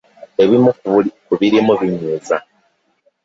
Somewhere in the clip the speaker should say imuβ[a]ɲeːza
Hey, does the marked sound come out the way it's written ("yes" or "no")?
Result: no